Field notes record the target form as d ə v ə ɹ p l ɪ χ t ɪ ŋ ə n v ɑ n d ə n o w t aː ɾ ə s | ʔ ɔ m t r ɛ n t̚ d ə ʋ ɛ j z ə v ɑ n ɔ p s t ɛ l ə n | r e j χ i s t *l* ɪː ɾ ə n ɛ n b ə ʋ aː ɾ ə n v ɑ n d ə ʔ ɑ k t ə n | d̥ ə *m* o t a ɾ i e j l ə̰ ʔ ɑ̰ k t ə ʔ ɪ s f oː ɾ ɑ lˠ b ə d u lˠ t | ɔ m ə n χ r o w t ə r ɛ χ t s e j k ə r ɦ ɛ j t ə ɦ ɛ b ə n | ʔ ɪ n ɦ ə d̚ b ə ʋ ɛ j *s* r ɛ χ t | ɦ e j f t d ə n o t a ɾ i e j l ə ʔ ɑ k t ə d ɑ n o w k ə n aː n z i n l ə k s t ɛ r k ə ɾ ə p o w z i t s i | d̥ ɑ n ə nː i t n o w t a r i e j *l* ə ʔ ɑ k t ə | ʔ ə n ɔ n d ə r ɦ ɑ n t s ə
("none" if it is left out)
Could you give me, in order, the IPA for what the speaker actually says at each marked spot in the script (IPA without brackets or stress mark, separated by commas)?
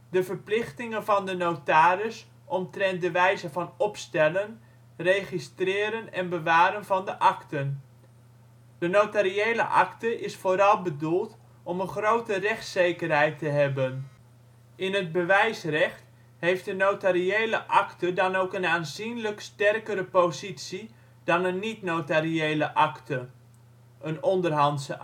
r, n, s, l